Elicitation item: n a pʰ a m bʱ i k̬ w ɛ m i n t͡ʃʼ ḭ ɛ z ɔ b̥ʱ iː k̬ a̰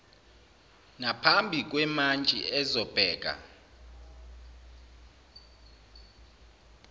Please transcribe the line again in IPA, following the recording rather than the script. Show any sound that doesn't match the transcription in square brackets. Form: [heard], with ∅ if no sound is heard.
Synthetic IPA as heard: n a pʰ a m bʱ i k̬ w ɛ m [a] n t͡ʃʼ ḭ ɛ z ɔ b̥ʱ [ɛː] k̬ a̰